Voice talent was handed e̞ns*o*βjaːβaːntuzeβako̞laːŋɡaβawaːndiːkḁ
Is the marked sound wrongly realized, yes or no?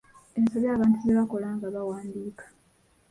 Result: no